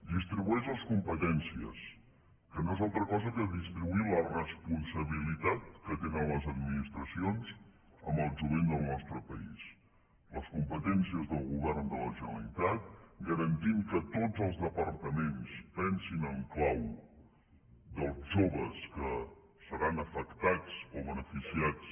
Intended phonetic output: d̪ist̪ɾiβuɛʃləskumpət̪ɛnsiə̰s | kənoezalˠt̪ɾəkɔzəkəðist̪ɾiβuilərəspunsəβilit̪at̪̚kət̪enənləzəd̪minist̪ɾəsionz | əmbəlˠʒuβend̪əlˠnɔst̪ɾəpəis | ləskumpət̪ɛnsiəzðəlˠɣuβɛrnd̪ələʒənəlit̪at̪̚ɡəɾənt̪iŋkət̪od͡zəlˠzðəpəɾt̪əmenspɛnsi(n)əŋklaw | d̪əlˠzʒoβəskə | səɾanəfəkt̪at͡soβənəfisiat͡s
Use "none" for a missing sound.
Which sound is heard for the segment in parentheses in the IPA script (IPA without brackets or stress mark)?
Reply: n